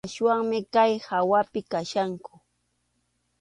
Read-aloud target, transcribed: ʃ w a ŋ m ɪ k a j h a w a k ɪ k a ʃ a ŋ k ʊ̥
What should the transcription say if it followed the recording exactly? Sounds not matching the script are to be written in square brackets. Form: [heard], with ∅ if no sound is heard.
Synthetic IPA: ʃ w a ŋ m ɪ k a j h a w a [p] ɪ k a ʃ a ŋ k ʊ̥